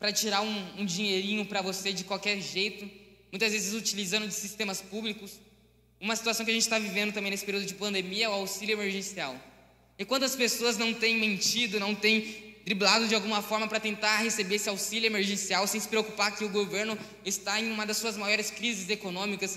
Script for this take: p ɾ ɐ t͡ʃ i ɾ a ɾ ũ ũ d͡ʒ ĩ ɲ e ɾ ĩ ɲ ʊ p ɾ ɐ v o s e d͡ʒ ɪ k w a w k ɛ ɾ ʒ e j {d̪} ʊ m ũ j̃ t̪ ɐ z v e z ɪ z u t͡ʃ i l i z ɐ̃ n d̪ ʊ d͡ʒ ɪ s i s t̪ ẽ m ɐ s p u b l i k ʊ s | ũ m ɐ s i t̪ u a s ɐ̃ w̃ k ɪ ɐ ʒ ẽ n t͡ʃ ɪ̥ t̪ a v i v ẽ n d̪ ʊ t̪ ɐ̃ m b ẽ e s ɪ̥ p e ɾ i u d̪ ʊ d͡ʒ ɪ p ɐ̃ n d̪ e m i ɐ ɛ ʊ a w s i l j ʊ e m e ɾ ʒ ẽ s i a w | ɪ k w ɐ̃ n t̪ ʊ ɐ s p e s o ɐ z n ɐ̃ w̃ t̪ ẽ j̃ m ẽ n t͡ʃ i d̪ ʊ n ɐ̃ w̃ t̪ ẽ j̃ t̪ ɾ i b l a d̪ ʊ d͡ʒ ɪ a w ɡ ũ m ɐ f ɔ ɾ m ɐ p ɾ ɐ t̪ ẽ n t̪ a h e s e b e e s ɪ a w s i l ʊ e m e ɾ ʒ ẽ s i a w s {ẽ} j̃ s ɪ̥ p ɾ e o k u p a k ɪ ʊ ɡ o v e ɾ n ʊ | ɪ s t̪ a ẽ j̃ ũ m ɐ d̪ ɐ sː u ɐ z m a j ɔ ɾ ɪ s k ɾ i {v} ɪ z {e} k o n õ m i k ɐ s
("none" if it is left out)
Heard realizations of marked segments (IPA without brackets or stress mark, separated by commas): t̪, ẽ, z, e